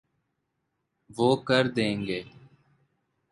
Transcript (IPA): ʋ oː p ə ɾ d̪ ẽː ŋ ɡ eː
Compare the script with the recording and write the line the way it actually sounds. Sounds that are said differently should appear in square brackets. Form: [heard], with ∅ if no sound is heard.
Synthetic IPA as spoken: ʋ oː [k] ə ɾ d̪ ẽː ŋ ɡ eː